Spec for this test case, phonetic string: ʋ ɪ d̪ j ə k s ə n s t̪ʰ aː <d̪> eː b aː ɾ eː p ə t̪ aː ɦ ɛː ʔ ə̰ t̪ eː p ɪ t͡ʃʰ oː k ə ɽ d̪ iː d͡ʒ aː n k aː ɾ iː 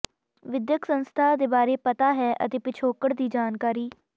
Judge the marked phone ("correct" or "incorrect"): correct